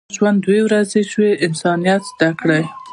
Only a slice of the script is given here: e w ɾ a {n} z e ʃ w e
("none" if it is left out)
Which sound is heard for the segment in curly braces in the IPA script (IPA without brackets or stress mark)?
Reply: none